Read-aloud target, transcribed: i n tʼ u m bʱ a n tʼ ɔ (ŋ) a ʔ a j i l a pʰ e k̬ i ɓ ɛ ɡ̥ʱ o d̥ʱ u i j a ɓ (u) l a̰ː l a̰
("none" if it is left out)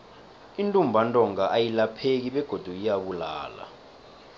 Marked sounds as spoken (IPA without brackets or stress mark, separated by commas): ŋ, u